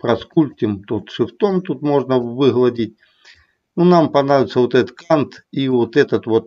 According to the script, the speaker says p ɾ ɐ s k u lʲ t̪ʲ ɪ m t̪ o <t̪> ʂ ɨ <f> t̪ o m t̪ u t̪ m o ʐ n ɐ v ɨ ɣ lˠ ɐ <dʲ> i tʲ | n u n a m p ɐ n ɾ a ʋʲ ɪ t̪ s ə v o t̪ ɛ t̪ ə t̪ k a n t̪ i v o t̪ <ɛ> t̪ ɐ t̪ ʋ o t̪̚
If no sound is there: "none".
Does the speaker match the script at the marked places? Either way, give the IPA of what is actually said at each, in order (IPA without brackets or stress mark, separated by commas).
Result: t̪, f, dʲ, ɛ